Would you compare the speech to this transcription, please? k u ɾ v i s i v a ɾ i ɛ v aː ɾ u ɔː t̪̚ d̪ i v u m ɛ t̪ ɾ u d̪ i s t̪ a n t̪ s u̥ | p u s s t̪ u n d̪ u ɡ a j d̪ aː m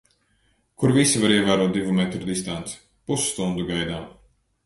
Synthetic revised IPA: k u ɾ v i s i v a ɾ i ɛ v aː ɾ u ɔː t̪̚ d̪ i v u m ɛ t̪ ɾ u d̪ i s t̪ a n t̪ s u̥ | p u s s t̪ u n d̪ u ɡ a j d̪ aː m